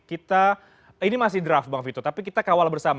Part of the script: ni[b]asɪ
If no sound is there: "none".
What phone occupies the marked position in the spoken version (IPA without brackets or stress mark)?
m